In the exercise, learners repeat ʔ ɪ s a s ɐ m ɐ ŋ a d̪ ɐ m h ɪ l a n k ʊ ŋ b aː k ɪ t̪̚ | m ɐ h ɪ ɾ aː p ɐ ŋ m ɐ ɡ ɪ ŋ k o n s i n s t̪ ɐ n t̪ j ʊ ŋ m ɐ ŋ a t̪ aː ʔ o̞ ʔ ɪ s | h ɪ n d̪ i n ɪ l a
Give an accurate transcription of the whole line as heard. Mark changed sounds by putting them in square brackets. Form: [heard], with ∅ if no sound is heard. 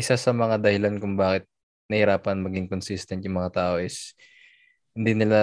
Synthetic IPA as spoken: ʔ ɪ s a s ɐ m ɐ ŋ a d̪ ɐ [∅] h ɪ l a n k ʊ ŋ b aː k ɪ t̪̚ | [n] ɐ h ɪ ɾ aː p ɐ [n] m ɐ ɡ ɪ ŋ k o n s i [∅] s t̪ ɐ n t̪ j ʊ ŋ m ɐ ŋ a t̪ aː ʔ o̞ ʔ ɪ s | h ɪ n d̪ i n ɪ l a